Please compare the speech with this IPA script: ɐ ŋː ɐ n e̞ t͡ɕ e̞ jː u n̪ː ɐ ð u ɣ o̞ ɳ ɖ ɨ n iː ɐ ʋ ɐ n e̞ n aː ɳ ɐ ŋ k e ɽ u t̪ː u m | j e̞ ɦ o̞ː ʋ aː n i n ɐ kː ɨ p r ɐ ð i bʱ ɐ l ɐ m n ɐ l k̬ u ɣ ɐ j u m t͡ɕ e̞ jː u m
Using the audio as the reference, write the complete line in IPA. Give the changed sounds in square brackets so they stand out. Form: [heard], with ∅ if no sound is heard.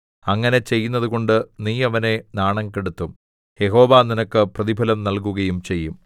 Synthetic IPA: ɐ ŋː ɐ n e̞ t͡ɕ e̞ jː u n̪ː ɐ ð u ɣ o̞ ɳ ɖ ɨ n iː ɐ ʋ ɐ n e̞ n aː ɳ ɐ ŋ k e ɽ u t̪ː u m | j e̞ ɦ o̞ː ʋ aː n i n ɐ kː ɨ p r ɐ ð i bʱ ɐ l ɐ m n ɐ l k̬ u ɣ ɐ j u m t͡ɕ e̞ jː u m